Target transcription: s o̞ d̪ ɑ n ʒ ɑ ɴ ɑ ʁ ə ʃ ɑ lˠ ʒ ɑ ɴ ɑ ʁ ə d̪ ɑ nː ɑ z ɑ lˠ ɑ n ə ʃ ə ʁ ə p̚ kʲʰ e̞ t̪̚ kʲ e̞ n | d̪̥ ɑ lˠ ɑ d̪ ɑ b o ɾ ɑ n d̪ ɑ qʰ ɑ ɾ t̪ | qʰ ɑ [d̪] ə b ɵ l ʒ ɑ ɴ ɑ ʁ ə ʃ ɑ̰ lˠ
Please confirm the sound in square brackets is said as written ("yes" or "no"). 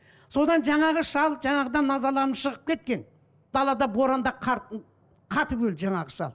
no